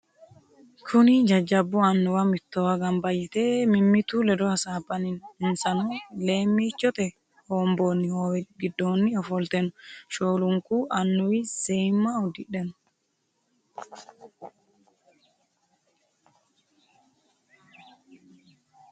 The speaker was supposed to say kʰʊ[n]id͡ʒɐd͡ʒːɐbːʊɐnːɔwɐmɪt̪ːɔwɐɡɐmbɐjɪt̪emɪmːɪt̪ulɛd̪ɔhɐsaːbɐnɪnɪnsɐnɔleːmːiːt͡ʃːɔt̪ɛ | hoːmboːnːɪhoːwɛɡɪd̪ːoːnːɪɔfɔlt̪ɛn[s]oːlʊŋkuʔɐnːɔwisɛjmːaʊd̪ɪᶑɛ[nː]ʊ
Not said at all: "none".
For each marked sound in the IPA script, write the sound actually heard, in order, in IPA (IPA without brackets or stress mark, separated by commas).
n, ʃ, n